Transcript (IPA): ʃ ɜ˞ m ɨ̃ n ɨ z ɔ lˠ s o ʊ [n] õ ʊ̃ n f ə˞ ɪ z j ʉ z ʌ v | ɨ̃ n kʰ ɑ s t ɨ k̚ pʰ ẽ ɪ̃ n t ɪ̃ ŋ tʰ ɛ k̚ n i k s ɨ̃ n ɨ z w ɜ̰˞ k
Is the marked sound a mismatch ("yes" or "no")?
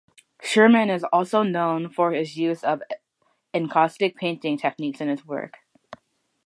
no